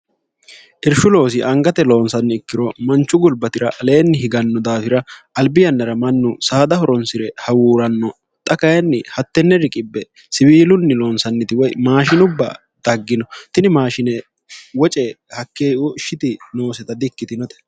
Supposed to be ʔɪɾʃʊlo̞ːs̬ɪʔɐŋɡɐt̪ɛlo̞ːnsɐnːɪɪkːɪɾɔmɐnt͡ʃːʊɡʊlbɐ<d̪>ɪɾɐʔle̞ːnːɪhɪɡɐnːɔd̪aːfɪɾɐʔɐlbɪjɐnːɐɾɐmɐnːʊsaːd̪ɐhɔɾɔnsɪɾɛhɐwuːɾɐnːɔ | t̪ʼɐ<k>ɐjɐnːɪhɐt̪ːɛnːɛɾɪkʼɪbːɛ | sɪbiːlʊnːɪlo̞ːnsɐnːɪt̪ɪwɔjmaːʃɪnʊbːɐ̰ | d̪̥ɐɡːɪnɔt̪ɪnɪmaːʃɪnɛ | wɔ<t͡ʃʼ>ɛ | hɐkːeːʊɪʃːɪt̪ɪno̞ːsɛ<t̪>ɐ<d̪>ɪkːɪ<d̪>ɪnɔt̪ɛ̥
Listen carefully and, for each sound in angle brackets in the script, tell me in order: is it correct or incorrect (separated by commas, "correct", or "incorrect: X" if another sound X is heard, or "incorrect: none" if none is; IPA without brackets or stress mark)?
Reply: incorrect: t̪, correct, correct, correct, correct, incorrect: t̪